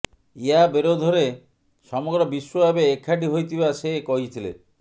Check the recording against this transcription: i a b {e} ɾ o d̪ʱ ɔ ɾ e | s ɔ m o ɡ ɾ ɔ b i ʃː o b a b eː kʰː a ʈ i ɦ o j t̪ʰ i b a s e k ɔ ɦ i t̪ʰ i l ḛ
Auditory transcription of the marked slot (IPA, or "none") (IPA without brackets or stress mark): e